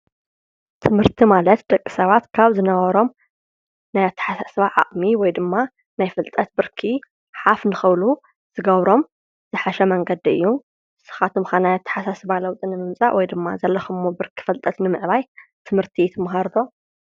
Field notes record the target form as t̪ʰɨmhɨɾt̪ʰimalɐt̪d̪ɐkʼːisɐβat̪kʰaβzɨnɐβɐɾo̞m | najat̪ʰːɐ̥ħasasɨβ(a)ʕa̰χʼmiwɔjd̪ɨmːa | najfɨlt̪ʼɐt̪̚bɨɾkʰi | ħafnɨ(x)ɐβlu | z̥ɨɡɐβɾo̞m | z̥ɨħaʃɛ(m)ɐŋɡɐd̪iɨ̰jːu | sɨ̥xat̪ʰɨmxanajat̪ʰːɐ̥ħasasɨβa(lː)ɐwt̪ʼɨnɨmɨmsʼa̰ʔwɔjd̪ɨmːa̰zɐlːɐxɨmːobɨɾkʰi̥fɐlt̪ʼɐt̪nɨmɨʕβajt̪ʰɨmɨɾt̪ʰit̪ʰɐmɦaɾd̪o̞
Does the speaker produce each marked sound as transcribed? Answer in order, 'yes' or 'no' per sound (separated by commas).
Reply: yes, yes, yes, no